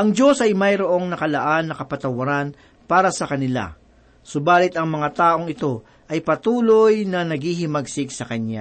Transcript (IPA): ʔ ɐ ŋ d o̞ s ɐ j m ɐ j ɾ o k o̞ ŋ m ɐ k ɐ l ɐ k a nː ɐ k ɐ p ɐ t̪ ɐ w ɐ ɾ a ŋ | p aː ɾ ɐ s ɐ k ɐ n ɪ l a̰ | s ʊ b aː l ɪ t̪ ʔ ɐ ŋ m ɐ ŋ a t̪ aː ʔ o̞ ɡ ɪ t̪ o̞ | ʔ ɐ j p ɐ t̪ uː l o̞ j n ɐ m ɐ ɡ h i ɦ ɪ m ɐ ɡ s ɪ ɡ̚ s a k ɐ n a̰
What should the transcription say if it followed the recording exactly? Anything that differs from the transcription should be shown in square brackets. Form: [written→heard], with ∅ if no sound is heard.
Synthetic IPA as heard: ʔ ɐ ŋ [d→d͡ʒ] o̞ s ɐ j m ɐ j ɾ o [k→ʔ] o̞ ŋ [m→n] ɐ k ɐ l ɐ [k→ʔ] a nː ɐ k ɐ p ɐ t̪ ɐ w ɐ ɾ a [ŋ→n] | p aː ɾ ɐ s ɐ k ɐ n ɪ l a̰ | s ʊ b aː l ɪ t̪ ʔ ɐ ŋ m ɐ ŋ a t̪ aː ʔ o̞ [ɡ→ŋ] ɪ t̪ o̞ | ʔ ɐ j p ɐ t̪ uː l o̞ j n ɐ [m→n] ɐ ɡ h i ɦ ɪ m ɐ ɡ s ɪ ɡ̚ s [a→ɐ] k ɐ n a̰